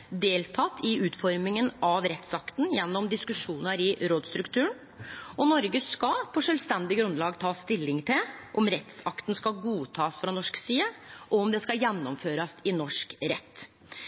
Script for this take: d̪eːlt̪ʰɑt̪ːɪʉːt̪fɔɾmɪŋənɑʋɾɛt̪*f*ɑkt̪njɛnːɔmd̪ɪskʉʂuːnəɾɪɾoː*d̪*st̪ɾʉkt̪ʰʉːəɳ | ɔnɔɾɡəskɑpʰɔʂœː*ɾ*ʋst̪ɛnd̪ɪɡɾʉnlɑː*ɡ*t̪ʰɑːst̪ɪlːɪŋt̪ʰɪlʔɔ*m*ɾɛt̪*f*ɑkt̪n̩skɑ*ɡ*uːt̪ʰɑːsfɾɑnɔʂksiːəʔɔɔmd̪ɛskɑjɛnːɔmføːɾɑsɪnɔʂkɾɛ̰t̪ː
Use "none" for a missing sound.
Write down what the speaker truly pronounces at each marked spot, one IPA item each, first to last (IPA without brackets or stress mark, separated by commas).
s, d̪, l, ɡ, m, s, ɡ